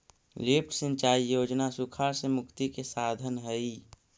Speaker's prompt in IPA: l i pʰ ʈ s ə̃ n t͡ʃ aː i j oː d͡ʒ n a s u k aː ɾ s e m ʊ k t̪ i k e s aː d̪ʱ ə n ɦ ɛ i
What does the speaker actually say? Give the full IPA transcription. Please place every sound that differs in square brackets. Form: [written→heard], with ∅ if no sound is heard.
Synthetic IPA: l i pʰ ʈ s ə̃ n t͡ʃ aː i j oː d͡ʒ n a s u [k→kʰ] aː ɾ s e m ʊ k t̪ i k e s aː d̪ʱ ə n ɦ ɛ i

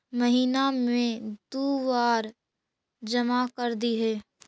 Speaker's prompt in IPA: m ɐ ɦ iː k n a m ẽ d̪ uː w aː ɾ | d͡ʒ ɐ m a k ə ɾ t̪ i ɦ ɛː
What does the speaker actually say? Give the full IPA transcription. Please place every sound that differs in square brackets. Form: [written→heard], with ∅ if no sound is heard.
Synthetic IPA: m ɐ ɦ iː [k→∅] n a m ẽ d̪ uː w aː ɾ | d͡ʒ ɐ m a k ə ɾ [t̪→d̪] i ɦ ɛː

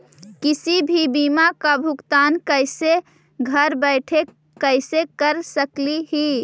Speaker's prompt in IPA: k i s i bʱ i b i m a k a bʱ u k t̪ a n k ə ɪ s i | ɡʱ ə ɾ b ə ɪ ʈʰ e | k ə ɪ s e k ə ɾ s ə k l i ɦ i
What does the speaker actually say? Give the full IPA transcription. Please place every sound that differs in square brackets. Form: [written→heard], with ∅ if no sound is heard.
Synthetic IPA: k i s i bʱ i b i m a k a bʱ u k t̪ a n k ə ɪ s [i→e] | ɡʱ ə ɾ b ə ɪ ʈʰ e | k ə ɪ s e k ə ɾ s ə k l i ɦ i

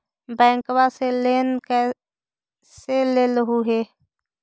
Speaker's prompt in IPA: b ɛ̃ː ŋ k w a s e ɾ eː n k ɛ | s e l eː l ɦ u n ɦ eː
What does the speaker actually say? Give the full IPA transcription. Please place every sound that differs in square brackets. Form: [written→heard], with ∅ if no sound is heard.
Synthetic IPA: b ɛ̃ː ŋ k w a s e [ɾ→l] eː n k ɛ | s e l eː l ɦ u [n→∅] ɦ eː

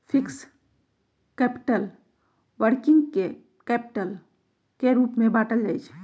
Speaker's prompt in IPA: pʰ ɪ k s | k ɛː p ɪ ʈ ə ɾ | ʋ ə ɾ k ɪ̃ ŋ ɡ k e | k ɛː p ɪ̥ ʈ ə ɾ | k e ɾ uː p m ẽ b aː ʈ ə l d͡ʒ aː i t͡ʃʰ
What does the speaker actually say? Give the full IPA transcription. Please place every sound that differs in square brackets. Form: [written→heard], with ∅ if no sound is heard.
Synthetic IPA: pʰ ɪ k s | k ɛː p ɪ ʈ ə [ɾ→l] | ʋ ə ɾ k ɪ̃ ŋ ɡ k e | k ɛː p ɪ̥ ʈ ə [ɾ→l] | k e ɾ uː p m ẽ b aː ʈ ə l d͡ʒ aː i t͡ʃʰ

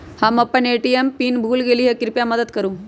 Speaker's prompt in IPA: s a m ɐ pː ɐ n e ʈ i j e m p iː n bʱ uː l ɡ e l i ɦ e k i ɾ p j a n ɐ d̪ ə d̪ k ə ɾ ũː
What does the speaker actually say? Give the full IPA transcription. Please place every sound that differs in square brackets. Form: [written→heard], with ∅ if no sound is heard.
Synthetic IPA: [s→h] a m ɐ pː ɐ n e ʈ i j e m p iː n bʱ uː l ɡ e l i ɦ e k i ɾ p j a [n→m] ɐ d̪ ə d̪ k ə ɾ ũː

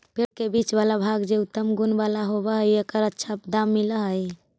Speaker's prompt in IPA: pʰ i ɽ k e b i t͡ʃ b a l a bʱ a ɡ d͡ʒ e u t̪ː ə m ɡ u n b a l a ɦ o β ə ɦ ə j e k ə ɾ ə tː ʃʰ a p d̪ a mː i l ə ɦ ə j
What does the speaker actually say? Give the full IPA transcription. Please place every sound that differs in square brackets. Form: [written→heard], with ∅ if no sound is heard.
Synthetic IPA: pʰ [i→e] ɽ k e b i t͡ʃ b a l a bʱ a ɡ d͡ʒ e u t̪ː ə m ɡ u n b a l a ɦ o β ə ɦ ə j e k ə ɾ ə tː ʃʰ a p d̪ a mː i l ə ɦ ə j

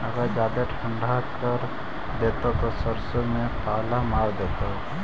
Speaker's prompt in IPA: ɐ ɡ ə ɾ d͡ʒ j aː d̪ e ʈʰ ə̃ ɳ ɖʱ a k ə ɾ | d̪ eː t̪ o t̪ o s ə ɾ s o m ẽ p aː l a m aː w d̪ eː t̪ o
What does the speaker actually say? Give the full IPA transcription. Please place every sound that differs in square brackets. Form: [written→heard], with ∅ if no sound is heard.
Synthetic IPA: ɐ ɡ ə ɾ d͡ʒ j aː d̪ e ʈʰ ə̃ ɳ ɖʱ a k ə ɾ | d̪ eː t̪ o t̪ o s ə ɾ s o m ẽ p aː l a m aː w d̪ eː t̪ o

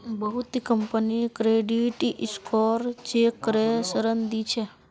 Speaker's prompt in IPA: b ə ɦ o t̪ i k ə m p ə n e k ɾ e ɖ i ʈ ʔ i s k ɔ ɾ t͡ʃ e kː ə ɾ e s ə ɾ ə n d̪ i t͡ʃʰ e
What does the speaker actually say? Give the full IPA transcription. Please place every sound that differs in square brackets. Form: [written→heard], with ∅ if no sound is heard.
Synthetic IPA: b ə ɦ [o→u] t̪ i k ə m p ə n [e→i] k ɾ e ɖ i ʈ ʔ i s k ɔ ɾ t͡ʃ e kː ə ɾ e s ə ɾ ə n d̪ i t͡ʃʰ e

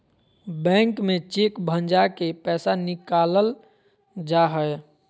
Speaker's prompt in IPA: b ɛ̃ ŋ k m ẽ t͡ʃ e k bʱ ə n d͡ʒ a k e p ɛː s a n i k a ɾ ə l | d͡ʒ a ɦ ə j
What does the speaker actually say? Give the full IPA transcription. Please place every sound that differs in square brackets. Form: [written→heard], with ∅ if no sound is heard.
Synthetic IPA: b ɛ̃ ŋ k m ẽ t͡ʃ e k bʱ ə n d͡ʒ a k e p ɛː s a n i k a [ɾ→l] ə l | d͡ʒ a ɦ ə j

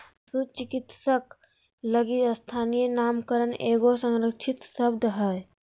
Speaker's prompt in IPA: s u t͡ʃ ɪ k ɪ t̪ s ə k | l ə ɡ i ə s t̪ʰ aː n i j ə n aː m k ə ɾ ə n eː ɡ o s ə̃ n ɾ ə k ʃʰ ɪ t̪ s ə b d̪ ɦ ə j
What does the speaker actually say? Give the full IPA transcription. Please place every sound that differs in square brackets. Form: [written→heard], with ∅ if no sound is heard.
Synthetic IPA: s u t͡ʃ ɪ k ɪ t̪ s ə k | l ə ɡ i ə s t̪ʰ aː n i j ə n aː m k ə ɾ ə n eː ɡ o s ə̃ [n→ŋ] ɾ ə k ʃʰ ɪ t̪ s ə b d̪ ɦ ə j

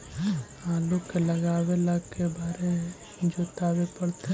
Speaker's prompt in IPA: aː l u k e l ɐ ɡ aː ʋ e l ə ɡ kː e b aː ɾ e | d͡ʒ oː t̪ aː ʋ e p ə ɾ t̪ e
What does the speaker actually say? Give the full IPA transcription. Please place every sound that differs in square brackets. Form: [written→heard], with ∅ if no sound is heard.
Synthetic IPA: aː l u k e l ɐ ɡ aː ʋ e l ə ɡ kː e b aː ɾ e | d͡ʒ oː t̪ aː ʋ e p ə [ɾ→ɽ] t̪ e

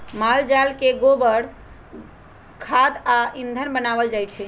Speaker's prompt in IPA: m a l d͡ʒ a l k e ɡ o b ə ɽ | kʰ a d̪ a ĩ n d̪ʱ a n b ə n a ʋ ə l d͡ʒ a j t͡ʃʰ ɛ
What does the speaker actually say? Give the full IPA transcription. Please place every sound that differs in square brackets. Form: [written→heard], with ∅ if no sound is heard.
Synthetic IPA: m a l d͡ʒ a l k e ɡ o b ə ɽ | kʰ a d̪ a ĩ n d̪ʱ [a→ə] n b ə n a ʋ ə l d͡ʒ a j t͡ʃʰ ɛ

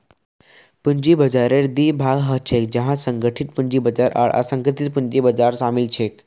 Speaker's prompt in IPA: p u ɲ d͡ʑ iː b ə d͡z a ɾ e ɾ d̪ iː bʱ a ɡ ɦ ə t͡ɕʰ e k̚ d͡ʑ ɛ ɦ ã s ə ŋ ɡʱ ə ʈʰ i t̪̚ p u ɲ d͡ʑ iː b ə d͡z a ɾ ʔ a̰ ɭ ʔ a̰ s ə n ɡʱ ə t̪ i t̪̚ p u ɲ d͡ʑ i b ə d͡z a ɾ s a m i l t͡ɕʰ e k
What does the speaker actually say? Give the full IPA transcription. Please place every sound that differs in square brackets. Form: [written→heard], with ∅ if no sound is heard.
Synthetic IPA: p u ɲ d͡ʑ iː b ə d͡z a ɾ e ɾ d̪ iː bʱ a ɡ ɦ ə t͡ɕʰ e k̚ d͡ʑ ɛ ɦ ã s ə ŋ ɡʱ ə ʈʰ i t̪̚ p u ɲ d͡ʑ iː b ə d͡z a ɾ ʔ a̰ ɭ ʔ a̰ s ə [n→ŋ] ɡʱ ə t̪ i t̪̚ p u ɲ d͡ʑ i b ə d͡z a ɾ s a m i l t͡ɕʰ e k

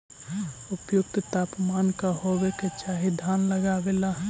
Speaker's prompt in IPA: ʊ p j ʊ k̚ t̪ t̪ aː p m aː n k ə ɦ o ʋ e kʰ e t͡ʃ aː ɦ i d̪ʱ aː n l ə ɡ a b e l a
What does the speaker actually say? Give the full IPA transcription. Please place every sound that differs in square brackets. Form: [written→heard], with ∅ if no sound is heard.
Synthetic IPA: ʊ p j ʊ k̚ t̪ t̪ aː p m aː n k [ə→a] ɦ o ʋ e [kʰ→k] e t͡ʃ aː ɦ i d̪ʱ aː n l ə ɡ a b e l a

